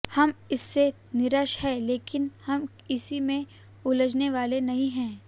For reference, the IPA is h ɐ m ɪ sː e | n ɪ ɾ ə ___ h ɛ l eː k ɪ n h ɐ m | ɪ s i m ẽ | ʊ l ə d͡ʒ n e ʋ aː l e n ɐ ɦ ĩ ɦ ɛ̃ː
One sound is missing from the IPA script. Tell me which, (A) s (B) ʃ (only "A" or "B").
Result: B